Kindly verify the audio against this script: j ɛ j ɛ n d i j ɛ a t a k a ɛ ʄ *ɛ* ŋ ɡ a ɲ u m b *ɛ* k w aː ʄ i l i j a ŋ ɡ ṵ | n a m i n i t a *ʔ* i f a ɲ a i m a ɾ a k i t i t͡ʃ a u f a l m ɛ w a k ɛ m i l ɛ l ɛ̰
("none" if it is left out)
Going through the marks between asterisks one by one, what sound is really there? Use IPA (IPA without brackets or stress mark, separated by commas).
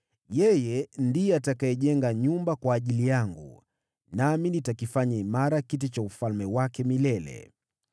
ɛ, a, k